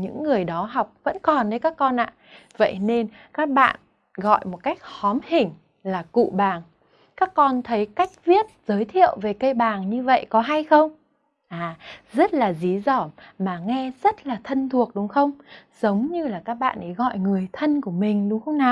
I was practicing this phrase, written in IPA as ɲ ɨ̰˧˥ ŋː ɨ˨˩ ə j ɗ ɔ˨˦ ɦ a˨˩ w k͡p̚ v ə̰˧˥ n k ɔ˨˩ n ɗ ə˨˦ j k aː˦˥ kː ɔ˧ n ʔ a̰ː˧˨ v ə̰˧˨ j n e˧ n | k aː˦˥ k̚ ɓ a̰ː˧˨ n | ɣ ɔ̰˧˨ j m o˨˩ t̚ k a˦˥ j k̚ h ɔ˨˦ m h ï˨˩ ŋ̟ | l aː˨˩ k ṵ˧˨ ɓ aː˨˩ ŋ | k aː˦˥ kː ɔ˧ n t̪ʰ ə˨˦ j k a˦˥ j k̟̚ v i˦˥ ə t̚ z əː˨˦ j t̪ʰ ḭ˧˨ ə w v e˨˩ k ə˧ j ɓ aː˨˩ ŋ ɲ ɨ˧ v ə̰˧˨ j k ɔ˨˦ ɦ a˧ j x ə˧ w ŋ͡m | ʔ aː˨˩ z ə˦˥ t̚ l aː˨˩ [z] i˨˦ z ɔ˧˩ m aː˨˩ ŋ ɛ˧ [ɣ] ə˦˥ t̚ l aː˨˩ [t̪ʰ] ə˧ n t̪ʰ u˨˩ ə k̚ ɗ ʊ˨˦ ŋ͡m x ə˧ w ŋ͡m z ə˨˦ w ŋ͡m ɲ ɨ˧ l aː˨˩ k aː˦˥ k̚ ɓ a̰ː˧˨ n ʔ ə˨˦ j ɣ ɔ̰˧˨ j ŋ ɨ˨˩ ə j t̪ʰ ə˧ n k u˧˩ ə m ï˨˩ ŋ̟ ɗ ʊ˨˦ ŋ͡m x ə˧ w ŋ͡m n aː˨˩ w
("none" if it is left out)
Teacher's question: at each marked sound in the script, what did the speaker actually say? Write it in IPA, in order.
z, z, t̪ʰ

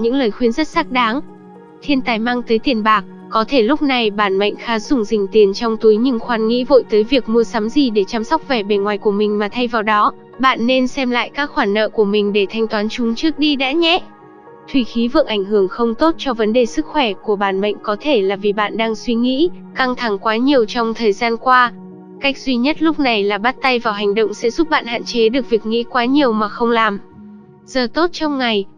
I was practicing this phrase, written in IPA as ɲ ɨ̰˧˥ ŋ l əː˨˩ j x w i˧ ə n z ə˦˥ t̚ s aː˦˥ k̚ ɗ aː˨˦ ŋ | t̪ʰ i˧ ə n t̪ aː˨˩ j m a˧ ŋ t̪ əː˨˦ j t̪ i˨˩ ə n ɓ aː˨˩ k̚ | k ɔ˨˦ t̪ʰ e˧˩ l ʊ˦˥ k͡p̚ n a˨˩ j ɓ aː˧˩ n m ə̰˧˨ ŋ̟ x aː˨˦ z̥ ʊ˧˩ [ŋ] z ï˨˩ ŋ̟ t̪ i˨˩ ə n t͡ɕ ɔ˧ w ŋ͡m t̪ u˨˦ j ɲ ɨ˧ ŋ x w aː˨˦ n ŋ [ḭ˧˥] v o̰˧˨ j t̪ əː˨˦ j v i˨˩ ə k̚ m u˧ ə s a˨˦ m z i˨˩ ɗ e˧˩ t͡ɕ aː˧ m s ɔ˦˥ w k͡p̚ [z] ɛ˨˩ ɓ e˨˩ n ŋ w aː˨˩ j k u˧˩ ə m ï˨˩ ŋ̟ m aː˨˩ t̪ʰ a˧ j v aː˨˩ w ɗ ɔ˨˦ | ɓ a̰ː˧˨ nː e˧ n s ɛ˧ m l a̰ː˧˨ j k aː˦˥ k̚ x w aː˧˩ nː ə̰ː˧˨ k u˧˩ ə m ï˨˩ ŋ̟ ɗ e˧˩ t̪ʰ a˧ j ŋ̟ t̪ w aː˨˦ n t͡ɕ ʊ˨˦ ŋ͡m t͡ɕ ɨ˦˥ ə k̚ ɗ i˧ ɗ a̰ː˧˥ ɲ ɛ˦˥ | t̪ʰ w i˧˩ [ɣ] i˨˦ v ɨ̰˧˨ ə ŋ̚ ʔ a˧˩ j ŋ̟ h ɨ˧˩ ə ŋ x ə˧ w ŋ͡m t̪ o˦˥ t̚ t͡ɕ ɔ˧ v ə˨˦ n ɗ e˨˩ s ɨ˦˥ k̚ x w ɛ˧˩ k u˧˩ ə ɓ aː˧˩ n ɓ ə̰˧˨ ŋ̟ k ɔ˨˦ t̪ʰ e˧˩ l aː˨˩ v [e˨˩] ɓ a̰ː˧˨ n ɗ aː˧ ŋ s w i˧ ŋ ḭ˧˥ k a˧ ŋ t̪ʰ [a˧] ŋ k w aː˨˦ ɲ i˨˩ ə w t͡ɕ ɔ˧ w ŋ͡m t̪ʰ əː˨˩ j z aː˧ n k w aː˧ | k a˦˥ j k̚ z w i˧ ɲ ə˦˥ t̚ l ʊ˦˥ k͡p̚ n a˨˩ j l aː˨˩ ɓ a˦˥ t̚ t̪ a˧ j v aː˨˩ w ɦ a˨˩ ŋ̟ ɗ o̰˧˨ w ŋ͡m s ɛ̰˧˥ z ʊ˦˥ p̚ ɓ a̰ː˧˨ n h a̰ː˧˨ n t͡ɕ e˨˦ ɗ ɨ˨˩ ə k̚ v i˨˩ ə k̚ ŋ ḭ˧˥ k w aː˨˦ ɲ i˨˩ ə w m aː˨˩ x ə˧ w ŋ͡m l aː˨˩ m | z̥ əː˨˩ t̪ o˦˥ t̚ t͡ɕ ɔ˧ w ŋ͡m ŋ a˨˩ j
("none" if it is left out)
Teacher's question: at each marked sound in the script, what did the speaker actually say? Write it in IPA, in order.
ŋ͡m, ḭ˧˥, v, x, i˨˩, a˧˩

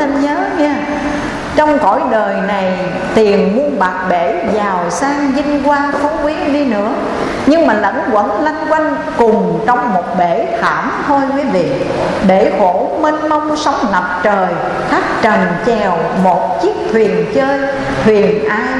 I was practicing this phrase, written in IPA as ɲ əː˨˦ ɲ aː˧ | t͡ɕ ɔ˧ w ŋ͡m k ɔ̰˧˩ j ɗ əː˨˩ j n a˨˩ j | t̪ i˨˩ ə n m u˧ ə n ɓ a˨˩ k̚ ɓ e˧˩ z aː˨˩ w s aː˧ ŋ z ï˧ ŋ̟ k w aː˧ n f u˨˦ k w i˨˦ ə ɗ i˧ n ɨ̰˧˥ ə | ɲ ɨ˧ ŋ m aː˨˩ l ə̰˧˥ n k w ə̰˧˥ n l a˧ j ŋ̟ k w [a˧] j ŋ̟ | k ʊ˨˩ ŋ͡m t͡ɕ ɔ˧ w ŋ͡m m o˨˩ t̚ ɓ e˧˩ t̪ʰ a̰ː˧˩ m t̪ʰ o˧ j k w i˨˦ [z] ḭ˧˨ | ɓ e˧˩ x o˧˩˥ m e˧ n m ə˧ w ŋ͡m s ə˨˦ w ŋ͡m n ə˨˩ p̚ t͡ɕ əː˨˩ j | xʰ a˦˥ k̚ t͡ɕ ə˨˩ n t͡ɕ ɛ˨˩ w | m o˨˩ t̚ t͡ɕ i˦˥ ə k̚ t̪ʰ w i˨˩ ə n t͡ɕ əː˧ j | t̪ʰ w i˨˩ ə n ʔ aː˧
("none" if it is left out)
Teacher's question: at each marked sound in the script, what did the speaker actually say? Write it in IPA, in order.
a˧, v

